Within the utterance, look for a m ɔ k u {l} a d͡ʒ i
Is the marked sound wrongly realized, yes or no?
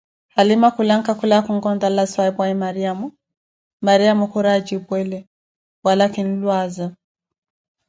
yes